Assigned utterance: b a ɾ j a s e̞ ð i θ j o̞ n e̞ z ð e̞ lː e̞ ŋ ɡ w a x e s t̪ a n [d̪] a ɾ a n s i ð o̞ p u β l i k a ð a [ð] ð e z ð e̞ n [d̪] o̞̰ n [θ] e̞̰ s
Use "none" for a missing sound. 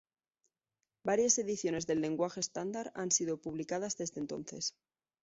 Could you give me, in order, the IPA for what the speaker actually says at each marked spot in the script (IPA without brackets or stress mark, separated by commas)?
d̪, z, t̪, θ